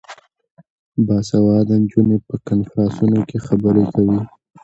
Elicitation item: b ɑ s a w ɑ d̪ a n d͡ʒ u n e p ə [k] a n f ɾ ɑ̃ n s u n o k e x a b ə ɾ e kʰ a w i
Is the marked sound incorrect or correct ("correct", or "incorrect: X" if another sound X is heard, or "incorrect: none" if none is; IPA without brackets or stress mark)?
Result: correct